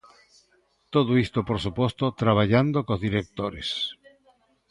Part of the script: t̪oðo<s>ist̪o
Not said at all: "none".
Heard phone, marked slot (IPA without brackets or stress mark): none